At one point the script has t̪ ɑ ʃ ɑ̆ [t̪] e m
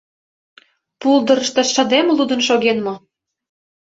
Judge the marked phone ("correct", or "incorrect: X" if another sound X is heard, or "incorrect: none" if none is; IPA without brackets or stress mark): incorrect: d̪